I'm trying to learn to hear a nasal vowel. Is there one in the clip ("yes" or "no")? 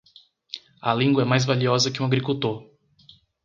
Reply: yes